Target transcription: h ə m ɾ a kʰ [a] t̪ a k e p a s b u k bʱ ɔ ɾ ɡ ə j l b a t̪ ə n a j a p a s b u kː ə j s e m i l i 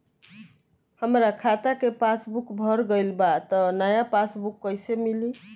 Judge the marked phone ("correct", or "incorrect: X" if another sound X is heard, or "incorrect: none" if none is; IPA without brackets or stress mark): correct